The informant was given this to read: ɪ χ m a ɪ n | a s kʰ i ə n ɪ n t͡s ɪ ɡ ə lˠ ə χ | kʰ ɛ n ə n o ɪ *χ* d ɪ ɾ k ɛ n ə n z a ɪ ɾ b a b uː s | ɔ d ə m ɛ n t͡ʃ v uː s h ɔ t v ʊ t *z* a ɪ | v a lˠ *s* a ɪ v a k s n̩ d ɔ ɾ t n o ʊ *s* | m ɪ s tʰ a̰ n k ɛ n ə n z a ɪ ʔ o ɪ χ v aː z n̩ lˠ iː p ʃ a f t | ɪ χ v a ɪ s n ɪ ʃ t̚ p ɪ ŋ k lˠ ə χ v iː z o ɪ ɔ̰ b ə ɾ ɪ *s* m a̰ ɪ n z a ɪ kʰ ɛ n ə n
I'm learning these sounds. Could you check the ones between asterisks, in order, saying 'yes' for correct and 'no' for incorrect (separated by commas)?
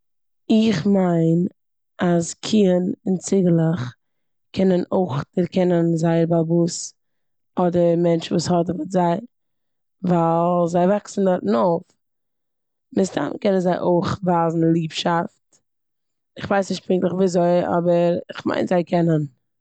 yes, yes, no, no, no